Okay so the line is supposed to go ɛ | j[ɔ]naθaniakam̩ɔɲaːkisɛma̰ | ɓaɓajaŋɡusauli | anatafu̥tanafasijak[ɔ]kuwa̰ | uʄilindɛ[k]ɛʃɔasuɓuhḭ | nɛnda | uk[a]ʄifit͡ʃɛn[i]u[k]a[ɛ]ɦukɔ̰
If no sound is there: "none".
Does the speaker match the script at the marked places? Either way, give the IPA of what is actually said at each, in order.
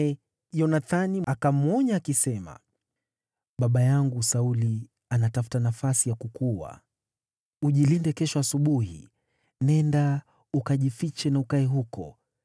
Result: ɔ, u, k, a, a, k, ɛ

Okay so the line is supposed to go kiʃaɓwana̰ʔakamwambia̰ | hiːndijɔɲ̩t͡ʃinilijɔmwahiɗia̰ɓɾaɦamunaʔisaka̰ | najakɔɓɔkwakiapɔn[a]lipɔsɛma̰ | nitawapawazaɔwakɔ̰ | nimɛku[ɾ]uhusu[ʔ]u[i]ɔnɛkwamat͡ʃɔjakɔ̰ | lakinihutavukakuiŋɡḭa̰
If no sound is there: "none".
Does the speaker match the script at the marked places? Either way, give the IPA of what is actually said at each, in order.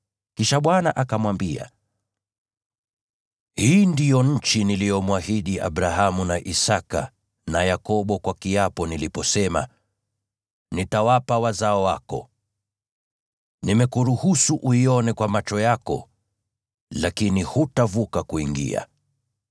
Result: i, ɾ, ʔ, i

